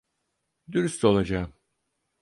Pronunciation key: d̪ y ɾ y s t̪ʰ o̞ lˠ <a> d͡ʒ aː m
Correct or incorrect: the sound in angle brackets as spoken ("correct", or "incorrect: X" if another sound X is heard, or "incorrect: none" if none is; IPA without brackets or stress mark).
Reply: correct